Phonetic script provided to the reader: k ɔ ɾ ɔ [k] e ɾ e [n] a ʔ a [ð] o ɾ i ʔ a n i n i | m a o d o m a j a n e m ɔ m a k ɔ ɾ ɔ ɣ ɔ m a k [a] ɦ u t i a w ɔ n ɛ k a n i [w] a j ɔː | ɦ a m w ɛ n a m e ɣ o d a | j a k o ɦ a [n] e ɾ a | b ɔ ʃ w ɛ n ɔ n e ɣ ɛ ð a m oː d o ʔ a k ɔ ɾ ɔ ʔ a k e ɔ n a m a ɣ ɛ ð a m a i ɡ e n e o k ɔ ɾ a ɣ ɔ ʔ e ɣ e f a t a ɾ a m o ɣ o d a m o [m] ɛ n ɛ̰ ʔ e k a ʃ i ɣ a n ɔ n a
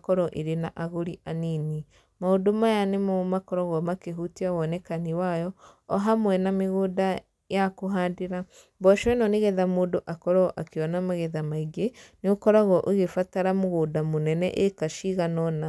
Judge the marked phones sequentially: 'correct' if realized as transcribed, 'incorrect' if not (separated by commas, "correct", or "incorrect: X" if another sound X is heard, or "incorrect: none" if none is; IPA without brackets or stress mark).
incorrect: ʔ, correct, incorrect: ɣ, incorrect: e, correct, incorrect: d, incorrect: n